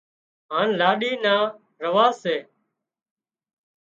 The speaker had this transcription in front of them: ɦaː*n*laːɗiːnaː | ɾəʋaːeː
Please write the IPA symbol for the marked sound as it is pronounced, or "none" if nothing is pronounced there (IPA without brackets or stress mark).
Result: n